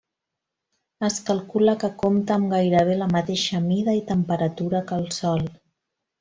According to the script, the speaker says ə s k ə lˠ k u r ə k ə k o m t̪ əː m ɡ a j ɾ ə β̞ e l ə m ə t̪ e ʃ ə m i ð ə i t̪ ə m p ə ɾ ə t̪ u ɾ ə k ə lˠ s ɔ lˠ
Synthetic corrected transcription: ə s k ə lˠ k u l ə k ə k o m t̪ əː m ɡ a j ɾ ə β̞ e l ə m ə t̪ e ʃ ə m i ð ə i t̪ ə m p ə ɾ ə t̪ u ɾ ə k ə lˠ s ɔ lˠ